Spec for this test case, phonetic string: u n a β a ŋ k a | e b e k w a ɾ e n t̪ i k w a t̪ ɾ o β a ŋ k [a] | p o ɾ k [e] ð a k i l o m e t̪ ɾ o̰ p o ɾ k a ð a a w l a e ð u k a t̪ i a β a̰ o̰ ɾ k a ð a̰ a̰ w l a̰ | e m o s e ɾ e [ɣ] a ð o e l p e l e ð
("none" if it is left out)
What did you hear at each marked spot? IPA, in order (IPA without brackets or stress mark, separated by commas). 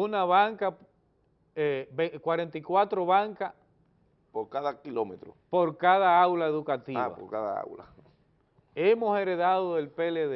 a, a, ð